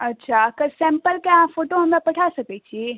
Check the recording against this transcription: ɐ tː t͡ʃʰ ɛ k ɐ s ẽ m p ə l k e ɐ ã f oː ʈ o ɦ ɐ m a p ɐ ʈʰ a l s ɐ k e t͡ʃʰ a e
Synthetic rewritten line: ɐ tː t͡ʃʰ a k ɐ s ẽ m p ə l k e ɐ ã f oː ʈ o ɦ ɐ m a p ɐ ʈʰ a s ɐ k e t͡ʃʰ i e